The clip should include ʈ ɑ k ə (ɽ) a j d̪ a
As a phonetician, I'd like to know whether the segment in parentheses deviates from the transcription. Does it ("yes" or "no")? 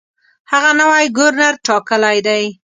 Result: yes